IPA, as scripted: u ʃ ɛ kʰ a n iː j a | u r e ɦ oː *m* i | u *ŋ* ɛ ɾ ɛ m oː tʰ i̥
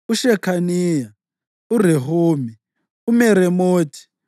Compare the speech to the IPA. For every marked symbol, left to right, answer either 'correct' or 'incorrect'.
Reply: correct, incorrect: m

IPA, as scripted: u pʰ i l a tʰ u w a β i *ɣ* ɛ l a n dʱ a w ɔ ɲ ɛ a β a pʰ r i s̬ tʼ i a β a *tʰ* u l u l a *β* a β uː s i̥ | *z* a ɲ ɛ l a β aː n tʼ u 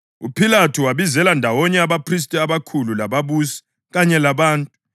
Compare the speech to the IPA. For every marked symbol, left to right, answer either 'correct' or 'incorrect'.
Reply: incorrect: z, incorrect: kʰ, correct, incorrect: ɣ

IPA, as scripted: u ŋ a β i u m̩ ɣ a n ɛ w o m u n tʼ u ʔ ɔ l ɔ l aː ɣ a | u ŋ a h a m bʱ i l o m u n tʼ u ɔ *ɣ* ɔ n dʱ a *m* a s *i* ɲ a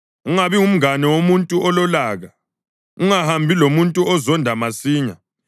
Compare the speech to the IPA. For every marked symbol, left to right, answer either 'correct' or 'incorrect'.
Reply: incorrect: z, correct, incorrect: iː

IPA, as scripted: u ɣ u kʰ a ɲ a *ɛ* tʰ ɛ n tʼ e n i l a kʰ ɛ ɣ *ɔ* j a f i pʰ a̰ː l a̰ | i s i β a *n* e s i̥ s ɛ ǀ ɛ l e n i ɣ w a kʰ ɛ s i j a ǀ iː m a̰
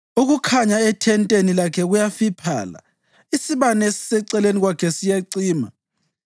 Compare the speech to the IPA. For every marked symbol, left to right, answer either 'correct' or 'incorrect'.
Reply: correct, incorrect: u, correct

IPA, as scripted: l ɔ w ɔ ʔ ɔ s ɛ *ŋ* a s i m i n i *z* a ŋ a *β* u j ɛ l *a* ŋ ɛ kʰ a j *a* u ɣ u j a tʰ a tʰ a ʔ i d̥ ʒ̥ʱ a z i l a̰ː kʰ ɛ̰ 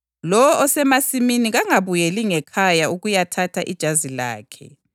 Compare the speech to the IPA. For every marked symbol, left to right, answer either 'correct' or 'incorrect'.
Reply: incorrect: m, incorrect: ɣ, correct, incorrect: i, correct

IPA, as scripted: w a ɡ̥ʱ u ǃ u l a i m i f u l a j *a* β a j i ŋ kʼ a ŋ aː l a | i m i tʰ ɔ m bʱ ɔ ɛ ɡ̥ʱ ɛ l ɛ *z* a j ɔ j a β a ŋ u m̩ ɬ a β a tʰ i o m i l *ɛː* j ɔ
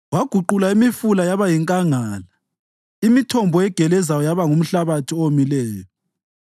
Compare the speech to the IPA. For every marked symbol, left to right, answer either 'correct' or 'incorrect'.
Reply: correct, correct, correct

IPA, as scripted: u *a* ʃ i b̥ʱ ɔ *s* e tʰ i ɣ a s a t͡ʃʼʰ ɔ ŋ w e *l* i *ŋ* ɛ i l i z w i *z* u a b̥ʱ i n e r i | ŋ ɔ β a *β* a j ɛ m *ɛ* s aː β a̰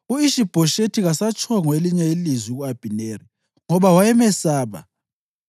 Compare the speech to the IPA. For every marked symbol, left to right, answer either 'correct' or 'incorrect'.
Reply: incorrect: i, incorrect: ʃ, correct, incorrect: ɲ, incorrect: ɣ, incorrect: w, correct

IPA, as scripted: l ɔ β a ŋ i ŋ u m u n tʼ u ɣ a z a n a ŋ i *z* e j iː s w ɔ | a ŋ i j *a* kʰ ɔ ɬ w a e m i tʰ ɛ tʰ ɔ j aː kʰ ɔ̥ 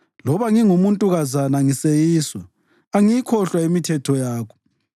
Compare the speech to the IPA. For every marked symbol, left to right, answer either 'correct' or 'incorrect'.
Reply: incorrect: s, incorrect: i

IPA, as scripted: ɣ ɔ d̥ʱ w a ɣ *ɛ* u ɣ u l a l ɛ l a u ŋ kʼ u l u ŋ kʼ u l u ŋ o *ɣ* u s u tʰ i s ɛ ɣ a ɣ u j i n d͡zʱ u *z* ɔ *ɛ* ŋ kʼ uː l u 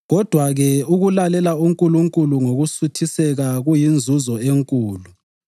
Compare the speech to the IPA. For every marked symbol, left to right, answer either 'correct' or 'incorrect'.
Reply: correct, correct, correct, incorrect: e

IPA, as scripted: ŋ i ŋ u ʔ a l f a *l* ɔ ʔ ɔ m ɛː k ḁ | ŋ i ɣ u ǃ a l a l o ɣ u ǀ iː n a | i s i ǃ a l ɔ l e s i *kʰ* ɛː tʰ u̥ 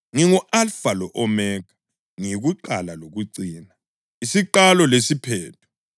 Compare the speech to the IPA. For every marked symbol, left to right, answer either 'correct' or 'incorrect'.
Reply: correct, incorrect: pʰ

